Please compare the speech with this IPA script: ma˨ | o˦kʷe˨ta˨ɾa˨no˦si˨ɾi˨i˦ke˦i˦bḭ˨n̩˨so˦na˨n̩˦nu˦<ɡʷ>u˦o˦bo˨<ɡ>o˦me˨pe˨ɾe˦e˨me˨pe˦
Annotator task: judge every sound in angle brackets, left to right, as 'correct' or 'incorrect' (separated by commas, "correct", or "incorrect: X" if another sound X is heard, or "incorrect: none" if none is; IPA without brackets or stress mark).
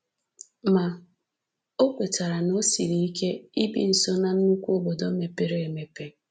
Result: incorrect: kʷ, incorrect: d